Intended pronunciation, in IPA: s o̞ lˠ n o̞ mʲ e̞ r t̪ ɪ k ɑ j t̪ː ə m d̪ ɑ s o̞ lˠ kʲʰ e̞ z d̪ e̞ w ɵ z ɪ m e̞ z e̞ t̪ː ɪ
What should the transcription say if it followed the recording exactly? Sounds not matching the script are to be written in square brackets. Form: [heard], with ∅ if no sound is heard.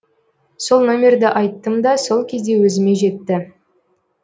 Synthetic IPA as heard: s o̞ lˠ n o̞ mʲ e̞ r [d̪] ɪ [ʔ] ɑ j t̪ː ə m d̪ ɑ s o̞ lˠ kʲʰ e̞ z d̪ e̞ w ɵ z ɪ m e̞ [ʒ] e̞ t̪ː ɪ